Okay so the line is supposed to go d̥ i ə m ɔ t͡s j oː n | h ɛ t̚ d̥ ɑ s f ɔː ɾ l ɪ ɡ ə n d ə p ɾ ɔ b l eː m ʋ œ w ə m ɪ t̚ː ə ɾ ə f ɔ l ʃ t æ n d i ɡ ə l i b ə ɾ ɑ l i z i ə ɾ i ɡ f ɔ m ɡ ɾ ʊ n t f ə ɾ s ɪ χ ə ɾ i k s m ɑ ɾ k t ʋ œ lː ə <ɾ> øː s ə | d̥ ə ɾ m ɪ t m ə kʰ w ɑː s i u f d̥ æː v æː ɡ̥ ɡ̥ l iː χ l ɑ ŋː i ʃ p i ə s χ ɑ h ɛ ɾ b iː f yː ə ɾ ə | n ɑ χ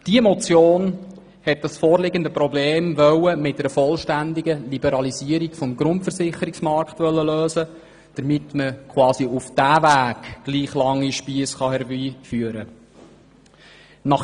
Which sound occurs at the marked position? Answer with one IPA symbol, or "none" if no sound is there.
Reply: l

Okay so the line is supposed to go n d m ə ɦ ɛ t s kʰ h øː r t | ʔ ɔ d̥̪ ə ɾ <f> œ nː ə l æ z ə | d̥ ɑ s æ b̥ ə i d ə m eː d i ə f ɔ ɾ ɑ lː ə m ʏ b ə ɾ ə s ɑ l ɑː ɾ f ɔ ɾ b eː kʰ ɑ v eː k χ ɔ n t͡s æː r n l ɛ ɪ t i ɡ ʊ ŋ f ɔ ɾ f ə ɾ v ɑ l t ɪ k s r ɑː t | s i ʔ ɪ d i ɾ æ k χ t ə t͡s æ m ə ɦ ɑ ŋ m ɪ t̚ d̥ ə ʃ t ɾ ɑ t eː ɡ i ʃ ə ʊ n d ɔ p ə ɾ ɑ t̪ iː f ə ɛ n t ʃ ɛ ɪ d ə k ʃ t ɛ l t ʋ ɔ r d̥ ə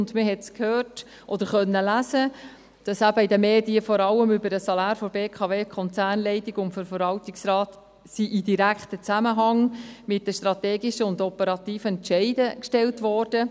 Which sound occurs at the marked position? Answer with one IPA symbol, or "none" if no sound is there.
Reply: χ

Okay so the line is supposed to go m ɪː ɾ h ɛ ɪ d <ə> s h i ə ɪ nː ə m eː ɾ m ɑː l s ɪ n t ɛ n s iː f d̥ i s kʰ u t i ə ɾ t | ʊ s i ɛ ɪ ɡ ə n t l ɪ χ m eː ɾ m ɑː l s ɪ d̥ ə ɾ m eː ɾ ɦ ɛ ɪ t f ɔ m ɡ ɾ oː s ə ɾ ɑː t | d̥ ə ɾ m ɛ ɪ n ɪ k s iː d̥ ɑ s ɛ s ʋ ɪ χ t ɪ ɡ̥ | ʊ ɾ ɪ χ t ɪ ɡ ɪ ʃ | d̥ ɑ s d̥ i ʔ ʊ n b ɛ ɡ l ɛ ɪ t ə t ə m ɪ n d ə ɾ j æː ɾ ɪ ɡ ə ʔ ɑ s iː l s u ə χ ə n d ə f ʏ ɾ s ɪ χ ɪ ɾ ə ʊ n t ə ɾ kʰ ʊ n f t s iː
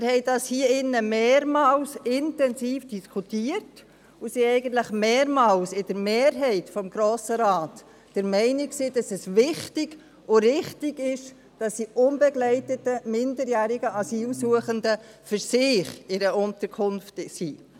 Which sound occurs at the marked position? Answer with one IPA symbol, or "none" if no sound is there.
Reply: ɑ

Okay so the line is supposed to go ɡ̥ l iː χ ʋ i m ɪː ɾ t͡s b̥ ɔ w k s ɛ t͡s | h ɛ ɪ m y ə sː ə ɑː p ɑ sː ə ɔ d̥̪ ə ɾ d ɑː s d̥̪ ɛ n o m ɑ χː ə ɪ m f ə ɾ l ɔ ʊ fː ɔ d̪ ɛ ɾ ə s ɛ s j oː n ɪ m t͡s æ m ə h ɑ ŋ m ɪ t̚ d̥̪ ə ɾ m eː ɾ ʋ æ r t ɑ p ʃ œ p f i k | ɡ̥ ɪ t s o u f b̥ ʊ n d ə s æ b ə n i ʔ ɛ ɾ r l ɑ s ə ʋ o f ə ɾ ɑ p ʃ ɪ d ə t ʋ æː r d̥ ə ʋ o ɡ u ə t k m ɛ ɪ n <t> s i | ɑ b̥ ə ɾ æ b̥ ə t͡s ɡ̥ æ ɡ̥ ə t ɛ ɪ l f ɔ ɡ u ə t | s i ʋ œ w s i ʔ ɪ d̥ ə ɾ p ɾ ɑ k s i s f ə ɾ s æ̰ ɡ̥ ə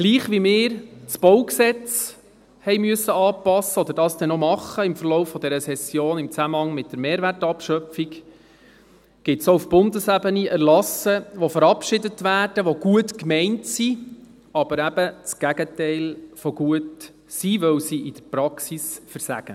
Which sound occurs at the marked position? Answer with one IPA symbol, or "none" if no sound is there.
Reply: t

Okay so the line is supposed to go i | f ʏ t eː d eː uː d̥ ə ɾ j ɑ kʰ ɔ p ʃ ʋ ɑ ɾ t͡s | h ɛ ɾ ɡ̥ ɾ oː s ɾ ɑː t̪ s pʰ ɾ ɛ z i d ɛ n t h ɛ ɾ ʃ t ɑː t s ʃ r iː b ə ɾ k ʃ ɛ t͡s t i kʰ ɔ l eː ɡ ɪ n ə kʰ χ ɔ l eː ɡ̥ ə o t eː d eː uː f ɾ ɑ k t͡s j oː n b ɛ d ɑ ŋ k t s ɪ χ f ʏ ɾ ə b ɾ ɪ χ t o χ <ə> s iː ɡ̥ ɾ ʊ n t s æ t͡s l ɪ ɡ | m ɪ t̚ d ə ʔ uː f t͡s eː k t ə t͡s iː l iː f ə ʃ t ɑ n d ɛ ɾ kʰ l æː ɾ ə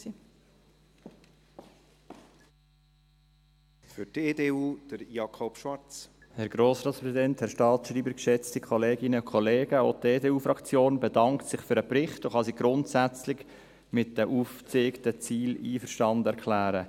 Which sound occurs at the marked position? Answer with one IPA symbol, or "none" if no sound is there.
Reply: ɑ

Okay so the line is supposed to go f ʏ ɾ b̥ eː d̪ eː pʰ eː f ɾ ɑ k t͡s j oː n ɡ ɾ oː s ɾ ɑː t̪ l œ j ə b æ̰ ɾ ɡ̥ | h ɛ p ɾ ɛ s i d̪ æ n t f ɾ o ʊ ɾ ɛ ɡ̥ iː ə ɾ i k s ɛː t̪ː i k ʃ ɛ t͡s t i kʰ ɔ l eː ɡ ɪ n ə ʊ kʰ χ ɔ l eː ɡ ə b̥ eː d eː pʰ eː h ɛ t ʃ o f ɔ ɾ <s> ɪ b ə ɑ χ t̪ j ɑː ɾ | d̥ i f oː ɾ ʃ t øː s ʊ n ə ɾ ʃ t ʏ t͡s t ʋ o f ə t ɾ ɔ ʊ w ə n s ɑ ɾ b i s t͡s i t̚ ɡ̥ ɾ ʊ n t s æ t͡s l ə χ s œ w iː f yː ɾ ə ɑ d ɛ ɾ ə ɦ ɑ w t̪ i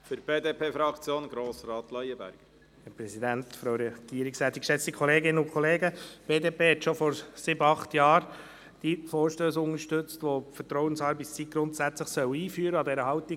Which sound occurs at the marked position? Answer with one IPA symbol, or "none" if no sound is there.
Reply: s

